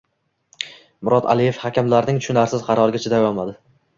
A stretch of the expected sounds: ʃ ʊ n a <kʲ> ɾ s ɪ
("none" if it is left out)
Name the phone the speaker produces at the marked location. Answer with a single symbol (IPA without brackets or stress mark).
none